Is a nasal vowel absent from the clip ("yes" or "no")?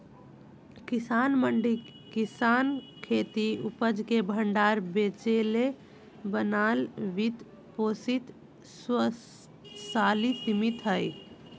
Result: yes